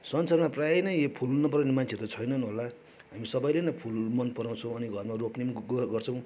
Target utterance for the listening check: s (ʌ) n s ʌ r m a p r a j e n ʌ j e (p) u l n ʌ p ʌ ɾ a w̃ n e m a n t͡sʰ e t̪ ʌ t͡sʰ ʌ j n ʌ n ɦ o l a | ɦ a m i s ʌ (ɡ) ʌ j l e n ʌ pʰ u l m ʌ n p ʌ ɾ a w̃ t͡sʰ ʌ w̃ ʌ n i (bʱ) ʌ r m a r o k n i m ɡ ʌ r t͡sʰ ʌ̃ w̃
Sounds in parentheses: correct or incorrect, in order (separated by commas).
correct, incorrect, incorrect, incorrect